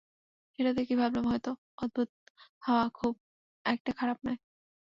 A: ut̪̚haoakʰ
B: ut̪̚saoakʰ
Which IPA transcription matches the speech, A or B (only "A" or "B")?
A